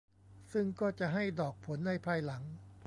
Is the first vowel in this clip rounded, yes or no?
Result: no